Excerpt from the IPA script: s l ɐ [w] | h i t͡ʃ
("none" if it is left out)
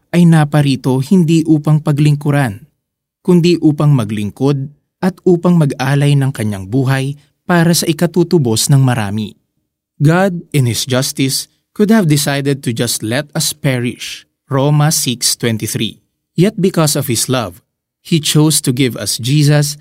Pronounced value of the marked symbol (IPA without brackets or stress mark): v